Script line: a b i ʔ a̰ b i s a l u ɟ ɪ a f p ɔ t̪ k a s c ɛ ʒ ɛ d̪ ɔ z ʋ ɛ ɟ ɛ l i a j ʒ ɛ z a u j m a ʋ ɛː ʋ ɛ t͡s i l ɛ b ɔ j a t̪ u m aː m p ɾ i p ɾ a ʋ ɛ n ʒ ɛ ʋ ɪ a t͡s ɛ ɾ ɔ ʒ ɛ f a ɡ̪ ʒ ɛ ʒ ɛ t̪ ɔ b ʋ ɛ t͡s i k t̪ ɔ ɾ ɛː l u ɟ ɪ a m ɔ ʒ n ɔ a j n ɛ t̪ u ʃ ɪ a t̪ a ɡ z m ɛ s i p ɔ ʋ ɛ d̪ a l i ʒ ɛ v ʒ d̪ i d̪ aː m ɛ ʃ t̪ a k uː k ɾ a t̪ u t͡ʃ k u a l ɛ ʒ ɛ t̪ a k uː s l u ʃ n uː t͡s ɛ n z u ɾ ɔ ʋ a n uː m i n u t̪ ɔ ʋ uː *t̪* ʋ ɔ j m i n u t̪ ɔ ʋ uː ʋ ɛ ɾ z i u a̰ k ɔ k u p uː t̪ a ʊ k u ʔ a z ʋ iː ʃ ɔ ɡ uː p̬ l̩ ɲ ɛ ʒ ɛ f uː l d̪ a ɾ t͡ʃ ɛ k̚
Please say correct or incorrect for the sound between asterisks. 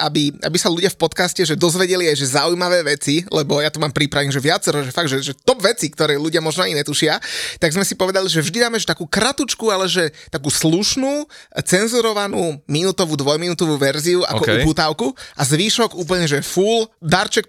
incorrect